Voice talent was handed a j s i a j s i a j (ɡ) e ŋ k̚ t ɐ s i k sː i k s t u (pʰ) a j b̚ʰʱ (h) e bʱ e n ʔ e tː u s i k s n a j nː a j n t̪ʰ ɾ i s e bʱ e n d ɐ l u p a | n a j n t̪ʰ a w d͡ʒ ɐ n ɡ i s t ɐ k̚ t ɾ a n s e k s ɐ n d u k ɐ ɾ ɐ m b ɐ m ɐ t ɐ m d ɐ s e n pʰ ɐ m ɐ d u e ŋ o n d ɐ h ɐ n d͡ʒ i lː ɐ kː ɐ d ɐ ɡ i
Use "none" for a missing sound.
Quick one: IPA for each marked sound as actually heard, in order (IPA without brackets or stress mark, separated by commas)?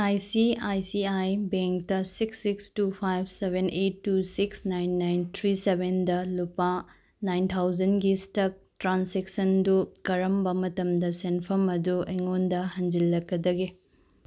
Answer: b, pʰ, s